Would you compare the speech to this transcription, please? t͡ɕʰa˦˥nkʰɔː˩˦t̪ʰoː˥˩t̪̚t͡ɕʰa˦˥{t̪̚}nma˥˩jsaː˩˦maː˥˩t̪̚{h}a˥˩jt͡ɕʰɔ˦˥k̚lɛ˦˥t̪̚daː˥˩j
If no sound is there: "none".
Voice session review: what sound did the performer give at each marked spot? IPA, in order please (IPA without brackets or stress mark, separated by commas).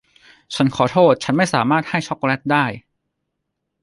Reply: none, h